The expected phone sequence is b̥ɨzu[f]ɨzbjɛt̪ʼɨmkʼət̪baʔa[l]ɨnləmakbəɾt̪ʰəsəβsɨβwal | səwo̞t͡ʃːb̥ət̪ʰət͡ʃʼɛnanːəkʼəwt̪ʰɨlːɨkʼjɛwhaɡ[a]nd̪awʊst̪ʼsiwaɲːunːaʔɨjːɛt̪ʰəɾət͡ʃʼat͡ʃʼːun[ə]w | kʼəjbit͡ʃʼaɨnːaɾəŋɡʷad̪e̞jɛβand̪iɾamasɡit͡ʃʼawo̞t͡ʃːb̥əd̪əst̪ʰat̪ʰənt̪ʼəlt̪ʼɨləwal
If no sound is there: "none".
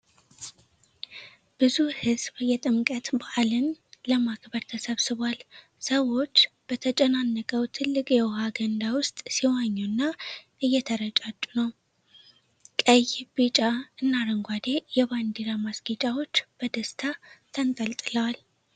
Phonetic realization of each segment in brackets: h, l, ə, ə

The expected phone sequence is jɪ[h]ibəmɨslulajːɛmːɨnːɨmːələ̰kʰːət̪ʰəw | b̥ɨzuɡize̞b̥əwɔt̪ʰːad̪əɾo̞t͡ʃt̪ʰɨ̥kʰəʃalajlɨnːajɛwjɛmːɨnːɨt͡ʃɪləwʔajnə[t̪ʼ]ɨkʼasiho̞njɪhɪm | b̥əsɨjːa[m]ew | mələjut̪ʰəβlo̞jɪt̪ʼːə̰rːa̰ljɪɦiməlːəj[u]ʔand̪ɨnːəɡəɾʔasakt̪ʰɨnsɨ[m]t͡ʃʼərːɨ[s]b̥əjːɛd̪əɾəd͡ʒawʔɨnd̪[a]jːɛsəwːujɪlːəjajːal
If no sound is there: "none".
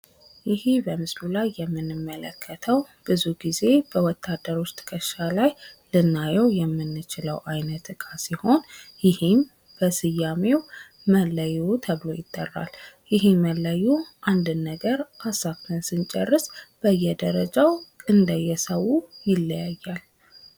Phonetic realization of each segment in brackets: h, t̪, m, u, n, s, ə

